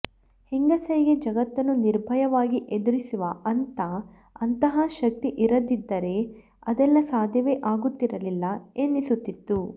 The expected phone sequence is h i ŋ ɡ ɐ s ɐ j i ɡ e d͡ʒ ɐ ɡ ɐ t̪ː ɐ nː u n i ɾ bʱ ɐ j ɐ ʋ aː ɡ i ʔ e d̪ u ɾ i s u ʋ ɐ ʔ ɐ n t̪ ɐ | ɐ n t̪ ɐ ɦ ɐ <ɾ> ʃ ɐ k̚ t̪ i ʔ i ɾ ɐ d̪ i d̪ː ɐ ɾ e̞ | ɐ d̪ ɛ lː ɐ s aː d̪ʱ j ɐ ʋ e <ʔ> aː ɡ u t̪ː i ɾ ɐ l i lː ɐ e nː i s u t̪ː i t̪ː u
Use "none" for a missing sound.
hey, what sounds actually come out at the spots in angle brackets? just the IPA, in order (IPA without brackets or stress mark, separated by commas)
none, ʔ